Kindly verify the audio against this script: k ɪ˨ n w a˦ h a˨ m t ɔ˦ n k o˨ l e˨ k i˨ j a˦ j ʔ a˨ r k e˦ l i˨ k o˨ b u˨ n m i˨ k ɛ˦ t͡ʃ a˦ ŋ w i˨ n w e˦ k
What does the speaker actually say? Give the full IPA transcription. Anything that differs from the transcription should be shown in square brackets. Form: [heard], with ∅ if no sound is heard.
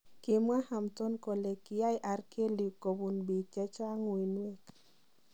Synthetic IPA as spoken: k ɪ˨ [m] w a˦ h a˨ m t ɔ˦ n k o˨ l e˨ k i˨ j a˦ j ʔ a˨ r k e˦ l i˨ k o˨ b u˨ n [b] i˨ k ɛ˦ t͡ʃ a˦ ŋ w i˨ n w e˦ k